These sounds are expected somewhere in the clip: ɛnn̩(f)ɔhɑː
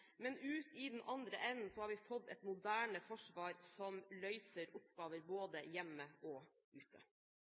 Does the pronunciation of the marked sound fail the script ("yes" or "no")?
yes